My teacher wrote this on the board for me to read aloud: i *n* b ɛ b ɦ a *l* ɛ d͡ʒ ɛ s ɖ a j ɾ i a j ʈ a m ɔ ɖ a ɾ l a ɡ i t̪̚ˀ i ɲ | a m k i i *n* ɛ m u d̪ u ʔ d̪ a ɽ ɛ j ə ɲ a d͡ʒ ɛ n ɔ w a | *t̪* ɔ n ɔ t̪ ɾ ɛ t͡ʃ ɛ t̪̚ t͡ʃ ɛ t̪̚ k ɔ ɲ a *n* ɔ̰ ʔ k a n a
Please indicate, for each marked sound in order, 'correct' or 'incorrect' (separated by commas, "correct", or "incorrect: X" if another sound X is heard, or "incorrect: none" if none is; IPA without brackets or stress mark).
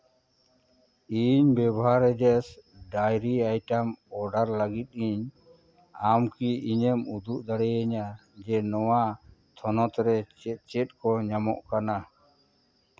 incorrect: ɲ, incorrect: ɾ, incorrect: ɲ, incorrect: t̪ʰ, incorrect: m